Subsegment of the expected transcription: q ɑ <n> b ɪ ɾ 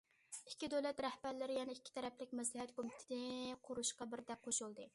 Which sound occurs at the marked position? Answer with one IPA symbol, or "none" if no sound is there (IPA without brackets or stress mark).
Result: none